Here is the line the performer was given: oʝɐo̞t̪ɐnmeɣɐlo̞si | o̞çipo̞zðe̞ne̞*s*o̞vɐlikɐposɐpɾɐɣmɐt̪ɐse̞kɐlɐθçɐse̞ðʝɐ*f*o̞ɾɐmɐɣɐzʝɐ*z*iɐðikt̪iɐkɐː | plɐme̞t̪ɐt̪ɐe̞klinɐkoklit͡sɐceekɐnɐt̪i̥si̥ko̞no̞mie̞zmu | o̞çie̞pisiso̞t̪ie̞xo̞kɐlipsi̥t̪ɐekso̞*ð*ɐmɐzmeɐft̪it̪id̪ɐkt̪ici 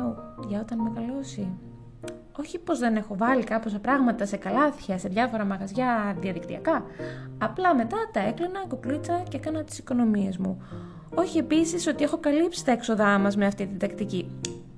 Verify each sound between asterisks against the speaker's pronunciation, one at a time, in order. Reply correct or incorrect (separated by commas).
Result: incorrect, correct, incorrect, correct